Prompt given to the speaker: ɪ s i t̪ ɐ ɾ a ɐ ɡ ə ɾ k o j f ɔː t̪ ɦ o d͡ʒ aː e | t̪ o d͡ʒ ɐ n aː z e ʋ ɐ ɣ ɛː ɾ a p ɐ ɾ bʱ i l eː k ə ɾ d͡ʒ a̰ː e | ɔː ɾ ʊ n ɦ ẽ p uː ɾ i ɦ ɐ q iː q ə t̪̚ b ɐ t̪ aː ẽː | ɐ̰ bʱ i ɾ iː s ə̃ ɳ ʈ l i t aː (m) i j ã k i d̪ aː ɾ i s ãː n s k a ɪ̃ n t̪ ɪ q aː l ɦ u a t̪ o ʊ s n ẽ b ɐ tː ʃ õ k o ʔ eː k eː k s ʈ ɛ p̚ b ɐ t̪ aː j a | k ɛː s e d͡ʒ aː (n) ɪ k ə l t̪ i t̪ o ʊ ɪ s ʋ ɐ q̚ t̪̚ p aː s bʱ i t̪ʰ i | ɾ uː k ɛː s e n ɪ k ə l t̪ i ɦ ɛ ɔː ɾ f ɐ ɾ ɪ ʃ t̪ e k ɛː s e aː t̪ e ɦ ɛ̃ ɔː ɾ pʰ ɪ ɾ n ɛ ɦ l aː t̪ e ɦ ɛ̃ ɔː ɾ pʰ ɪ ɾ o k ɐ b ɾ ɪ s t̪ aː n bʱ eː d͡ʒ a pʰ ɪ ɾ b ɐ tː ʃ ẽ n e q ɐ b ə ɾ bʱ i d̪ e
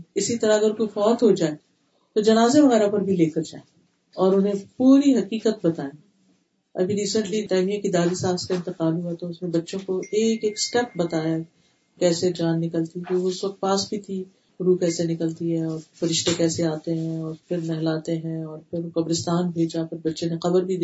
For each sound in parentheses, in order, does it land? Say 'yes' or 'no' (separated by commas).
yes, no